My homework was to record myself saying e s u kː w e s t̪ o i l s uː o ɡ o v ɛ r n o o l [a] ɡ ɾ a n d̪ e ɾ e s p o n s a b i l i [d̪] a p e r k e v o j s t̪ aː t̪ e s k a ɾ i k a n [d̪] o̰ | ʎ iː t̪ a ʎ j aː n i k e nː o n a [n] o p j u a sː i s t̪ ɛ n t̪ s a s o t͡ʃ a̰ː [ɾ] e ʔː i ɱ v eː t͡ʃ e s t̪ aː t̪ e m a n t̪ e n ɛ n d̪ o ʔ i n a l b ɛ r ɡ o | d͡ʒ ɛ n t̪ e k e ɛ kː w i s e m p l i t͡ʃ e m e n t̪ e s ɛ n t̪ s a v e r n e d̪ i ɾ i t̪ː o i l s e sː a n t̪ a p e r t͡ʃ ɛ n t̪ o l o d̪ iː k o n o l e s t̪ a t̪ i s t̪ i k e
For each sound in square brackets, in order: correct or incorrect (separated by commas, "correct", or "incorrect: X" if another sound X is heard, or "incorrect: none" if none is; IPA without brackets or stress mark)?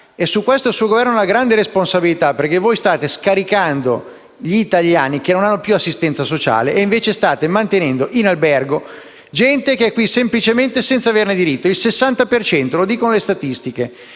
correct, incorrect: t̪, correct, incorrect: nː, incorrect: l